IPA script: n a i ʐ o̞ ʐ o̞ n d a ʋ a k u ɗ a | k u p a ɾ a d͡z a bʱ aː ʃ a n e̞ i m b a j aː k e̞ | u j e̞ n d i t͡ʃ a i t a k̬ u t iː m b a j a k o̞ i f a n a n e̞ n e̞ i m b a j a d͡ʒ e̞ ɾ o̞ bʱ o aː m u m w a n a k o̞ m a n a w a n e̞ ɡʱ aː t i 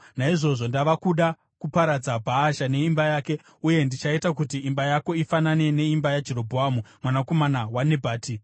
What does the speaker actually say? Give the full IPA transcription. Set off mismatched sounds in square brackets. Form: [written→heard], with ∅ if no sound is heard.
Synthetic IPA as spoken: n a i ʐ o̞ ʐ o̞ n d a ʋ a k u ɗ a | k u p a ɾ a d͡z a bʱ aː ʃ a n e̞ i m b a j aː k e̞ | u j e̞ n d i t͡ʃ a i t a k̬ u t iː m b a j a k o̞ i f a n a n e̞ n e̞ i m b a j a d͡ʒ e̞ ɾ o̞ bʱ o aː m u m w a n a k o̞ m a n a w a n e̞ [ɡʱ→bʱ] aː t i